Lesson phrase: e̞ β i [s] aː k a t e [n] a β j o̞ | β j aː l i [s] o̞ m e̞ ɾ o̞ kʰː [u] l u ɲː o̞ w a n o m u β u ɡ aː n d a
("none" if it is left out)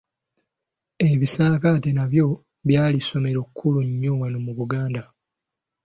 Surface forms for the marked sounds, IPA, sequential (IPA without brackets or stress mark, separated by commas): s, n, s, u